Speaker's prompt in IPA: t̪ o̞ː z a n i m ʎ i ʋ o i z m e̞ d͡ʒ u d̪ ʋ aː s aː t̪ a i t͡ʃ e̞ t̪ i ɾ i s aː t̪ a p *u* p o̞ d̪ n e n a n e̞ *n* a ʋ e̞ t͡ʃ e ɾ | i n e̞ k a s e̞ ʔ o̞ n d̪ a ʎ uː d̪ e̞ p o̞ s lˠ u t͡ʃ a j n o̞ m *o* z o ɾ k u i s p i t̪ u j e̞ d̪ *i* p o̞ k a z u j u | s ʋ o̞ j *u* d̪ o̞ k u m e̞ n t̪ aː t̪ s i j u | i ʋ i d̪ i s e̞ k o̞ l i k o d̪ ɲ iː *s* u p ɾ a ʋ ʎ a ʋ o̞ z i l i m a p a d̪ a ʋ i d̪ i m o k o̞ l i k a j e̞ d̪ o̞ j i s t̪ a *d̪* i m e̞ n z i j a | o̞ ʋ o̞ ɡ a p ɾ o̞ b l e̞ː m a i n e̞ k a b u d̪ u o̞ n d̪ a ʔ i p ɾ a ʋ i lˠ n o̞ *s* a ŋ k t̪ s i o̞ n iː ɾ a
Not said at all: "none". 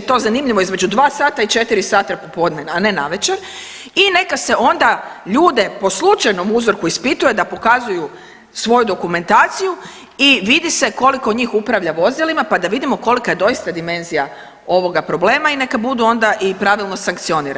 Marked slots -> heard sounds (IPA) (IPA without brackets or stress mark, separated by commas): o, n, u, a, u, x, d̪, s